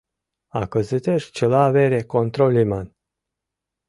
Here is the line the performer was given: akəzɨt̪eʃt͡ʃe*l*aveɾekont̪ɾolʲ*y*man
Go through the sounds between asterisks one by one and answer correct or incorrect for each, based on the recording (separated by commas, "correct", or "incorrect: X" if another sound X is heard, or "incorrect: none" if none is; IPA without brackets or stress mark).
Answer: correct, incorrect: i